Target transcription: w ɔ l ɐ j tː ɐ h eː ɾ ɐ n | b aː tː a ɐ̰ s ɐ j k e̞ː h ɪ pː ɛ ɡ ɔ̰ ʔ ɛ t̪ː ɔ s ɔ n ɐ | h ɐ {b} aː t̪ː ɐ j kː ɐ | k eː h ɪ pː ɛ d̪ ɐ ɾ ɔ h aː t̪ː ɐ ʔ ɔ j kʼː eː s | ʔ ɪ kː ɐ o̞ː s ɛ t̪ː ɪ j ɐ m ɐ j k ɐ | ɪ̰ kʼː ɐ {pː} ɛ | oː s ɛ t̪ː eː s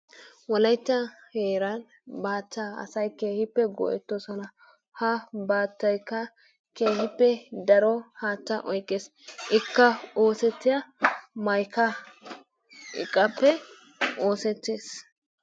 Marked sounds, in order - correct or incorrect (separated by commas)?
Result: correct, correct